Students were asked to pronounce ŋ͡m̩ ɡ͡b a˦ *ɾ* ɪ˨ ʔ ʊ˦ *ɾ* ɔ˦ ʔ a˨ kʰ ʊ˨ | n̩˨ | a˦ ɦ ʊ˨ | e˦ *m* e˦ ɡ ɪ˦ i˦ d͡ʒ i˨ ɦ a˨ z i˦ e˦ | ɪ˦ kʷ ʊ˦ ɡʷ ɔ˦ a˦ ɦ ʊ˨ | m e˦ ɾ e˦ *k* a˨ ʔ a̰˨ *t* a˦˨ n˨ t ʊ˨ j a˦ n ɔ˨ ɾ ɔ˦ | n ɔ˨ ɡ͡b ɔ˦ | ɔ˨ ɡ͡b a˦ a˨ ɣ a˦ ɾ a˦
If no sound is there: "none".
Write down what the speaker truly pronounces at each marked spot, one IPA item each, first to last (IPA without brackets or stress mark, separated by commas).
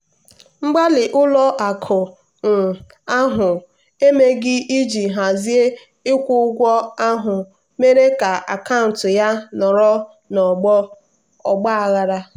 l, l, m, k, k